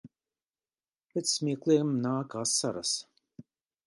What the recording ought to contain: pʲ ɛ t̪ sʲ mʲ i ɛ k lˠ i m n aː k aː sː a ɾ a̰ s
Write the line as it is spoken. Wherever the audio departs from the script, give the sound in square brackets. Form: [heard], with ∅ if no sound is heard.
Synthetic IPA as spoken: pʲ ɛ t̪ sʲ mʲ i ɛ k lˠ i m n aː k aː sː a ɾ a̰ s